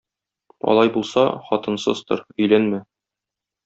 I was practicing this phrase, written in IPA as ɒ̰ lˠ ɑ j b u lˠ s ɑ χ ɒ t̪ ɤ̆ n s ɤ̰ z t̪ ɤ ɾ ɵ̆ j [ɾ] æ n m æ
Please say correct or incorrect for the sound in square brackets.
incorrect